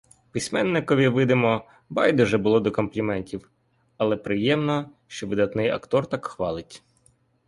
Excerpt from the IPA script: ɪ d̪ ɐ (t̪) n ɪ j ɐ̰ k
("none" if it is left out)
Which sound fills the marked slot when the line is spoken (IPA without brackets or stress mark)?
t̪